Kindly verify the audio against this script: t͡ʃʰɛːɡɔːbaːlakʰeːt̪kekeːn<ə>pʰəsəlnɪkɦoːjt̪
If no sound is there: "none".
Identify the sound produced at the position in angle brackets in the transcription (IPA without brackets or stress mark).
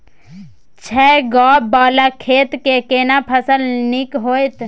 a